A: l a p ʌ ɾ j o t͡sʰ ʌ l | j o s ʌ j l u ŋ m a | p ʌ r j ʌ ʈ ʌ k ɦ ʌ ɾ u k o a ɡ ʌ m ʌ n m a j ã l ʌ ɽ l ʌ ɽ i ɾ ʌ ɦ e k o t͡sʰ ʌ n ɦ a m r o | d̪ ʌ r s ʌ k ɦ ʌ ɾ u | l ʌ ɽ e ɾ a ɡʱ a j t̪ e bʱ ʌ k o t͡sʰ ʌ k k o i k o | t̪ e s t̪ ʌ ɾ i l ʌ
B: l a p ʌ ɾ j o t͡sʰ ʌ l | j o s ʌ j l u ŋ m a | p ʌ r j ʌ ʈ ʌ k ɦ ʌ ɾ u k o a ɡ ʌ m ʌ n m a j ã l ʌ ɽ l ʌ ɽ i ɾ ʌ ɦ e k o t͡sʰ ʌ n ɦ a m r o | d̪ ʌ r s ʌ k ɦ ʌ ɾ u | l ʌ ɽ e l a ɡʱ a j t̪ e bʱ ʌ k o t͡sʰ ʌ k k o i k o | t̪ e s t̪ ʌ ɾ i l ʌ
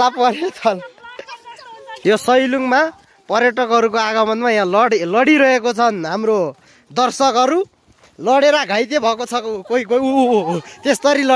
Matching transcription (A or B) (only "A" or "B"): A